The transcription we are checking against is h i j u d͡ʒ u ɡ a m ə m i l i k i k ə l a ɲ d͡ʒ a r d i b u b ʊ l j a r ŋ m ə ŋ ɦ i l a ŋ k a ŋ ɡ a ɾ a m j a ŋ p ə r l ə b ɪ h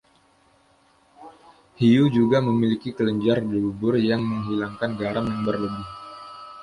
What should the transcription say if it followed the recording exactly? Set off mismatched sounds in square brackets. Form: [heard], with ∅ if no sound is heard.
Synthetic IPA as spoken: h i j u d͡ʒ u ɡ a m ə m i l i k i k ə l [ə] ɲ d͡ʒ a r d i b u b ʊ [r] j a [∅] ŋ m ə ŋ ɦ i l a ŋ k a [n] ɡ a ɾ a m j a ŋ [b] ə r l ə b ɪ h